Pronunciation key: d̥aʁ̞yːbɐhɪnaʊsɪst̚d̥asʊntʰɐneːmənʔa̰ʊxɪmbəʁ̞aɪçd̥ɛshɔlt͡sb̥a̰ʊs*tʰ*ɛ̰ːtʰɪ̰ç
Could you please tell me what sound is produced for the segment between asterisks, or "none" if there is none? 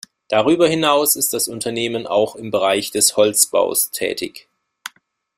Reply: tʰ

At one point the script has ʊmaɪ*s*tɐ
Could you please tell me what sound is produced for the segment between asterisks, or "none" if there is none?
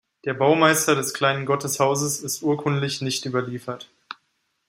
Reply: s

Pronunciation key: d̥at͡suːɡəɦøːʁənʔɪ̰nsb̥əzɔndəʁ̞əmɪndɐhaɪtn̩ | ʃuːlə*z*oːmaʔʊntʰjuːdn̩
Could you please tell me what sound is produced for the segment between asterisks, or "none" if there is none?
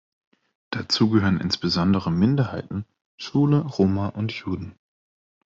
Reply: ʁ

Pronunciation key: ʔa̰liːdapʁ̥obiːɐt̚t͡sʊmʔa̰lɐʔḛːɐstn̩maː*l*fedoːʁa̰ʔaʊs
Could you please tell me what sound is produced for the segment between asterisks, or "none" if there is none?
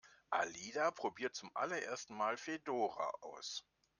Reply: l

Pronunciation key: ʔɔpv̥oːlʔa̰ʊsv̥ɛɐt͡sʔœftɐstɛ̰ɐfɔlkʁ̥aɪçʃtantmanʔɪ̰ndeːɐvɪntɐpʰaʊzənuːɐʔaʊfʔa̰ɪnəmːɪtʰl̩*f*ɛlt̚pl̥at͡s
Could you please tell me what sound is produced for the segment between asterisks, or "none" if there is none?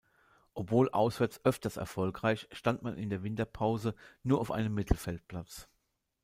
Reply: f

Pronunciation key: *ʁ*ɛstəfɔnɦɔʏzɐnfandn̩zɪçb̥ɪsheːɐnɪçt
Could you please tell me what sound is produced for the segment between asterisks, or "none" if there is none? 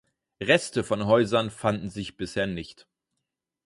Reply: ʁ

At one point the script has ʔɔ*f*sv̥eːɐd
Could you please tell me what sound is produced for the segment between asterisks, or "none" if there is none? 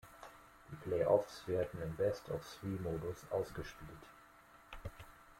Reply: f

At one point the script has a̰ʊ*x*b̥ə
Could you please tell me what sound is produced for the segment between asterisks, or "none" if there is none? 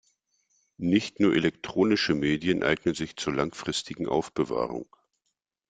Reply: f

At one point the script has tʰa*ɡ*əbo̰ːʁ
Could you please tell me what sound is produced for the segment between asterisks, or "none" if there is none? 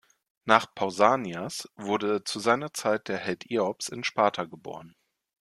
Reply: ɡ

